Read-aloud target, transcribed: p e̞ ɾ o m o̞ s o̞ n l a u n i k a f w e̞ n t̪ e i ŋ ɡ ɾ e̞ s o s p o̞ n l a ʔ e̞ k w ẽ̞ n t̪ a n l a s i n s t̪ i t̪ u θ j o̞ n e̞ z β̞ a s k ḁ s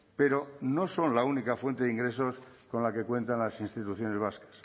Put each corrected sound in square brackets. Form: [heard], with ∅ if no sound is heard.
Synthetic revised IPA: p e̞ ɾ o [n] o̞ s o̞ n l a u n i k a f w e̞ n t̪ e i ŋ ɡ ɾ e̞ s o s [k] o̞ n l a [k] e̞ k w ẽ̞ n t̪ a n l a s i n s t̪ i t̪ u θ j o̞ n e̞ z β̞ a s k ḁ s